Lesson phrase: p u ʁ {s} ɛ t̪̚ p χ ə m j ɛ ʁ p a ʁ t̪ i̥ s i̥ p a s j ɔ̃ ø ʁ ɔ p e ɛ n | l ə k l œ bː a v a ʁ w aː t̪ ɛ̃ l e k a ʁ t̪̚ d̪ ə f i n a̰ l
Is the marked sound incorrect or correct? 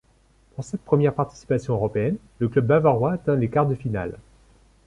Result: correct